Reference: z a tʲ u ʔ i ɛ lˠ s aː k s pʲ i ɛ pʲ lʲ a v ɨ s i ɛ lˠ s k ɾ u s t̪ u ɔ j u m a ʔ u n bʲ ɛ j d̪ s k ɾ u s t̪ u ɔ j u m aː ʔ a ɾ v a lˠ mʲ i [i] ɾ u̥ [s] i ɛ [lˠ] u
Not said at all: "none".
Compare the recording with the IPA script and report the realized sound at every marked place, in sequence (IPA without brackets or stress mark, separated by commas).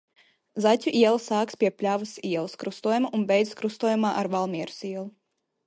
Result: ɛ, s, lˠ